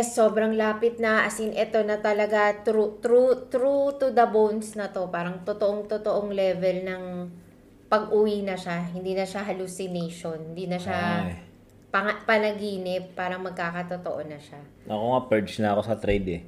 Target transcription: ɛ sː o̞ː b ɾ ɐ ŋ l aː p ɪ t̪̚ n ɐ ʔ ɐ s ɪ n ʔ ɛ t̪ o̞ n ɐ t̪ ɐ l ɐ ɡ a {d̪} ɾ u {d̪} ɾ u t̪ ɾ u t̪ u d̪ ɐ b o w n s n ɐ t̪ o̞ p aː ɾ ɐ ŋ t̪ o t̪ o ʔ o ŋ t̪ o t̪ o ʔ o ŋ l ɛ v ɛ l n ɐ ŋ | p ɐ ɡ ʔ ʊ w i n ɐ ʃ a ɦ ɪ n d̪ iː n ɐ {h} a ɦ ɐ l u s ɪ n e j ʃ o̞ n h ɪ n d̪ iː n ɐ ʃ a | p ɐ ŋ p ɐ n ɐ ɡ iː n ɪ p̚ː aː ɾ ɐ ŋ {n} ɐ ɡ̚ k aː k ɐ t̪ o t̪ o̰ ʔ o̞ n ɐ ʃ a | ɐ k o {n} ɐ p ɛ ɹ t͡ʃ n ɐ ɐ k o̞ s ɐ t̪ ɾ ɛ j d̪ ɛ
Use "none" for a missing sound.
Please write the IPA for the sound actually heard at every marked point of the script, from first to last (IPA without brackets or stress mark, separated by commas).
t̪, t̪, ʃ, m, ŋ